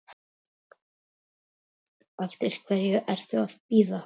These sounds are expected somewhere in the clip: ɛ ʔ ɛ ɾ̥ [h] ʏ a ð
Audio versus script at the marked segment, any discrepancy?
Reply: yes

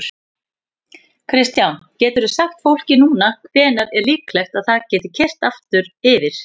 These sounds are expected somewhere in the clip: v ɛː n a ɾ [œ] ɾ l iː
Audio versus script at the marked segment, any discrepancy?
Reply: yes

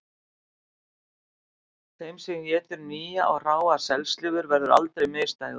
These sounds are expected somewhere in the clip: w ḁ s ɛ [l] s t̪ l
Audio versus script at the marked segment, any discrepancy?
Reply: no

